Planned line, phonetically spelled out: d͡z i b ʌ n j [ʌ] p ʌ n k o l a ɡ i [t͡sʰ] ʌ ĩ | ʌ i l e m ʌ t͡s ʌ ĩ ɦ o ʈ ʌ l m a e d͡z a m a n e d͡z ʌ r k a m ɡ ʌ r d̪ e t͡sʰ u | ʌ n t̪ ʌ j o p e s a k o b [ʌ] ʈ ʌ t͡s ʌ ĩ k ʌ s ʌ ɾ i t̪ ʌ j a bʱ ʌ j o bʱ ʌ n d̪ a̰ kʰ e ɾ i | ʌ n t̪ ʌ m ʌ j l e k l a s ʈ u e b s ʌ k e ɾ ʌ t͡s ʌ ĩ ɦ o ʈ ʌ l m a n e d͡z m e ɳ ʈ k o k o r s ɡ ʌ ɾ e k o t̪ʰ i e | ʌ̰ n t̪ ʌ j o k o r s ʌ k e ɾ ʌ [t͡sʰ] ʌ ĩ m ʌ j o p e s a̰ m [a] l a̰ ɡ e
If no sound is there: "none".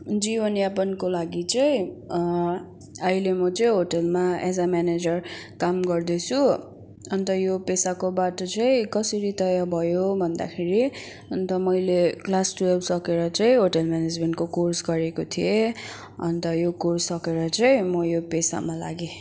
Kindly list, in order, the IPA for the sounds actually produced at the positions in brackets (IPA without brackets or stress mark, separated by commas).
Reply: a, t͡s, a, t͡s, a